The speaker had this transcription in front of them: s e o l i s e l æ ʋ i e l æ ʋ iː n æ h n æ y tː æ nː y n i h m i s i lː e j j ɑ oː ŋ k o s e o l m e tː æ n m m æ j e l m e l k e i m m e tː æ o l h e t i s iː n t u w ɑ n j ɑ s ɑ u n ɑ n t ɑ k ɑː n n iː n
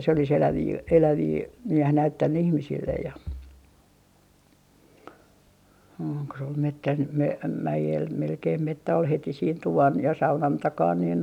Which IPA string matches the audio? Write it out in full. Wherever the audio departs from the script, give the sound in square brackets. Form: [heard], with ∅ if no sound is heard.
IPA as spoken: s e o l i s e l æ ʋ [iː] e l æ ʋ iː n æ h n æ y tː æ nː y [∅] i h m i s i lː e j j ɑ oː ŋ k o s e o l m e tː æ n m m æ j e l m e l k e i m m e tː æ o l h e t i s iː n t u [ʋ] ɑ n j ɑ s ɑ u n ɑ n t ɑ k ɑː n n iː n